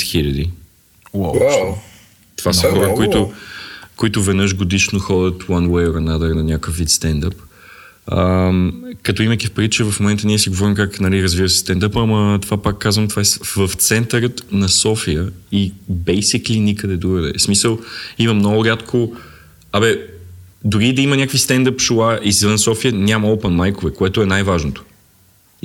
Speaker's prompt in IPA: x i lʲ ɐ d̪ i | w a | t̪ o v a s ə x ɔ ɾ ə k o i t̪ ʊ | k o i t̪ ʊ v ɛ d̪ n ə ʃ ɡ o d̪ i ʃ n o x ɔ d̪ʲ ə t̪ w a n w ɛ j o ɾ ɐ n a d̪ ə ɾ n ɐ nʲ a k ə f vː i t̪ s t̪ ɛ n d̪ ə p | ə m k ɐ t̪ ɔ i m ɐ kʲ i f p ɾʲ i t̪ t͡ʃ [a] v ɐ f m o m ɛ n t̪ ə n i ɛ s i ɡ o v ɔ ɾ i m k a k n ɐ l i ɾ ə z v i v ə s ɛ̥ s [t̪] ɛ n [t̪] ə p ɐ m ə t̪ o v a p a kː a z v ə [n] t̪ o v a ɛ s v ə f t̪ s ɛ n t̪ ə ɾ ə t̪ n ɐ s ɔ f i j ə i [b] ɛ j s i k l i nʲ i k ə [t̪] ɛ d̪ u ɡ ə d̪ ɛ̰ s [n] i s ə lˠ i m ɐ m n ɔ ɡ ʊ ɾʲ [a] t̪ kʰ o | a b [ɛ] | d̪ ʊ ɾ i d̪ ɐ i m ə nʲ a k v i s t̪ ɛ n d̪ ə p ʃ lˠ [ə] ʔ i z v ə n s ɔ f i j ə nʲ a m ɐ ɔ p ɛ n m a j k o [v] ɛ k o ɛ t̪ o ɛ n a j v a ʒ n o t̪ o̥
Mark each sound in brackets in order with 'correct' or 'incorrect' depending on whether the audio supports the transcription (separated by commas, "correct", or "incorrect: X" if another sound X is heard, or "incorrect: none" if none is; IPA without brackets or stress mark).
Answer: incorrect: ɛ, correct, incorrect: d̪, incorrect: m, correct, incorrect: d̪, incorrect: m, correct, correct, incorrect: a, correct